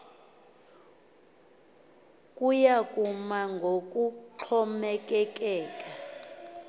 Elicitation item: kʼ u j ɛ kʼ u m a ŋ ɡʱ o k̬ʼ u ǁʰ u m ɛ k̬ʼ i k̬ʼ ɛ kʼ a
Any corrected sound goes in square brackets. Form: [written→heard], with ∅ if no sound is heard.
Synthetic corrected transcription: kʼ u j [ɛ→a] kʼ u m a ŋ ɡʱ o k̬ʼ u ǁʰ [u→ɔ] m ɛ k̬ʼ [i→ɛ] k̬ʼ [ɛ→ɛː] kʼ a